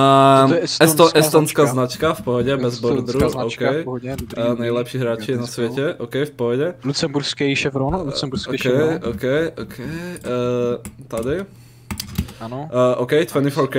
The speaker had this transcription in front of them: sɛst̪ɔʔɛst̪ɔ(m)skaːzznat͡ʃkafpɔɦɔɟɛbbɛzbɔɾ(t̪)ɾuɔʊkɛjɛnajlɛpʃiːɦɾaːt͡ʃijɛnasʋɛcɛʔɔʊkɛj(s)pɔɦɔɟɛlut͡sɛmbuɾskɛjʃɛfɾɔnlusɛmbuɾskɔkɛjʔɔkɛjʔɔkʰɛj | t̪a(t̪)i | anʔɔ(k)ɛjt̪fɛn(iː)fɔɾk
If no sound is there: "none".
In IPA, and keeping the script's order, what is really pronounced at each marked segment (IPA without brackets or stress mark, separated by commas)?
n, d̪, f, d̪, k, i